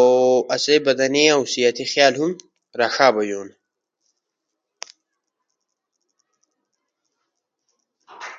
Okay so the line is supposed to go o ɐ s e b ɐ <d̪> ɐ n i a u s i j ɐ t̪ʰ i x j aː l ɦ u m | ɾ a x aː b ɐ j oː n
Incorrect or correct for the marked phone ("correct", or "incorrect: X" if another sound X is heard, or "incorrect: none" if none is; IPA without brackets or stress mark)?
correct